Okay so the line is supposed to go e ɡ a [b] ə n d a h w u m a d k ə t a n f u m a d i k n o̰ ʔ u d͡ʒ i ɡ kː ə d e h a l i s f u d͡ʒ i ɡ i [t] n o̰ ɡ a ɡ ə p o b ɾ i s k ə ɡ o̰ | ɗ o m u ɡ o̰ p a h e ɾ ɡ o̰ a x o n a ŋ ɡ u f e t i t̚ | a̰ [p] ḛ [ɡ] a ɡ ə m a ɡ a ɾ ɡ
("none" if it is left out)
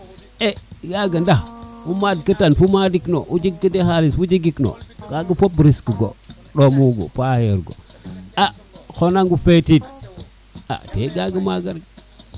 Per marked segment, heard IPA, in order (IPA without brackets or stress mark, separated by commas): ɡ, k, t, ɡ